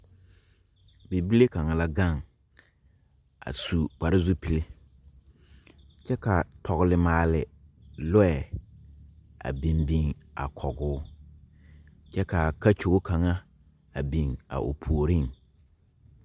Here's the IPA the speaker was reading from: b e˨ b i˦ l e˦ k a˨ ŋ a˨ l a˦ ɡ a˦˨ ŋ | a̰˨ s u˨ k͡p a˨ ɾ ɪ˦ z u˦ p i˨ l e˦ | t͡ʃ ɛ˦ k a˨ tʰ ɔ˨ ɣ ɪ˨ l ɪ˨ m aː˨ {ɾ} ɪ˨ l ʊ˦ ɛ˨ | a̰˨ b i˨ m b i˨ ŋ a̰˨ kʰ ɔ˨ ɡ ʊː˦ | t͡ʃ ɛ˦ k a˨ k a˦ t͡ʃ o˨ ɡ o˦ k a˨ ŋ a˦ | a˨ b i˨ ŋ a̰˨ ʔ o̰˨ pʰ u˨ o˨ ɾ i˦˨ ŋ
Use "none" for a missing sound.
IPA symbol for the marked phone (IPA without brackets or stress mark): l